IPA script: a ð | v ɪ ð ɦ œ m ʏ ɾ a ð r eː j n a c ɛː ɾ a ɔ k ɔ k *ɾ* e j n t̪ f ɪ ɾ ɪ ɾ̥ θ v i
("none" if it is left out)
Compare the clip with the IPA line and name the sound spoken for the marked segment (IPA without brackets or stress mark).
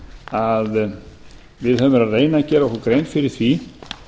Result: ɾ